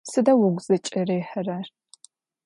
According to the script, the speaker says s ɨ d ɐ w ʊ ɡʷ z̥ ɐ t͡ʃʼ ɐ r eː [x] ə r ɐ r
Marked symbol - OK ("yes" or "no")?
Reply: no